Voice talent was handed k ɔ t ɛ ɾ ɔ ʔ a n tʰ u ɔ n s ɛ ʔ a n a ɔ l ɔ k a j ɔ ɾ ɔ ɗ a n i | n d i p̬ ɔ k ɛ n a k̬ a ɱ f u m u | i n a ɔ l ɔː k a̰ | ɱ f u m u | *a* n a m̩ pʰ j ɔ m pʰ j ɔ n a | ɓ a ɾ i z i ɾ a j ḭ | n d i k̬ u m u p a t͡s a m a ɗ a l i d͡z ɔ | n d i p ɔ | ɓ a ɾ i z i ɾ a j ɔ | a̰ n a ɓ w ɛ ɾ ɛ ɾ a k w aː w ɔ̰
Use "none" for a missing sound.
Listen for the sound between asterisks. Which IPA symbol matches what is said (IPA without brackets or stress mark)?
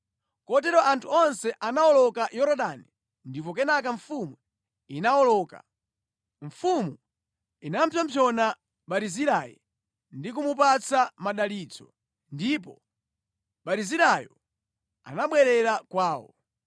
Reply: i